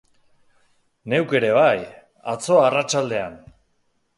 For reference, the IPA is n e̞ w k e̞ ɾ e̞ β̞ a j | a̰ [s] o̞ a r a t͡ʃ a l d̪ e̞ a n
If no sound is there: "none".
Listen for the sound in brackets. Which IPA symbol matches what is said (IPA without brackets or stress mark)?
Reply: t͡s